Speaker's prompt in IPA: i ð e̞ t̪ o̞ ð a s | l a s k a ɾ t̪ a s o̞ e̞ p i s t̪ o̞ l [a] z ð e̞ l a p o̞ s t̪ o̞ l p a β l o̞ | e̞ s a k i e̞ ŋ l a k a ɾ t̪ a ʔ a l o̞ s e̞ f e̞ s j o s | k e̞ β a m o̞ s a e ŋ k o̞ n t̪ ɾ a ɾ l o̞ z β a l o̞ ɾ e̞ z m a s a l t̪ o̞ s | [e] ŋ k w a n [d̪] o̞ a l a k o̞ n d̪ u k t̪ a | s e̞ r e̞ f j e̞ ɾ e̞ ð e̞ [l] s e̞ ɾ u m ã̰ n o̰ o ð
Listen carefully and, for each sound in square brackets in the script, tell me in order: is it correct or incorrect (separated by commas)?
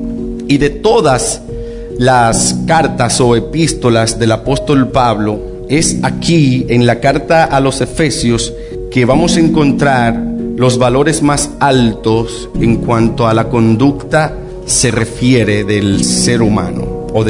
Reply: correct, correct, incorrect, correct